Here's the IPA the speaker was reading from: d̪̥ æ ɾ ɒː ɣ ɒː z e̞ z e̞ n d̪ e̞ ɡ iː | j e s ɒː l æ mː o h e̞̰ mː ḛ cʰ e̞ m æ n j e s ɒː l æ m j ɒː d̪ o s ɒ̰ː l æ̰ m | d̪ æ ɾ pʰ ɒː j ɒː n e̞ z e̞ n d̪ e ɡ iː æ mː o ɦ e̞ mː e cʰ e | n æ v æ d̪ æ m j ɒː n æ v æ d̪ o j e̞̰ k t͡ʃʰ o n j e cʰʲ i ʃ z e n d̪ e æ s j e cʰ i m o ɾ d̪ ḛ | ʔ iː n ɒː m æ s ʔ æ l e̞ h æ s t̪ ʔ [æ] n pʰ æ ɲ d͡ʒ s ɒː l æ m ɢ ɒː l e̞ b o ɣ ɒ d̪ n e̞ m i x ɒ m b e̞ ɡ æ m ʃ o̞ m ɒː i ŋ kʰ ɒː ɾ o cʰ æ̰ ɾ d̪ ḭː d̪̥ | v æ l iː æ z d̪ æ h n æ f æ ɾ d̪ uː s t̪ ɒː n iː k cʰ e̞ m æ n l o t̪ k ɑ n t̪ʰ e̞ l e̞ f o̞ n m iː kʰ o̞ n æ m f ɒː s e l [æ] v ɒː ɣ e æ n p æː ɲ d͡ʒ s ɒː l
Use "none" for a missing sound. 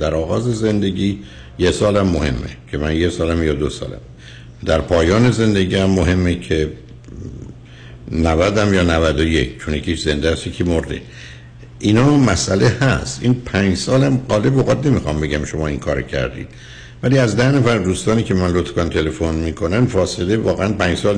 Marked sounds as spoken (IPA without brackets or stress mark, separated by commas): i, e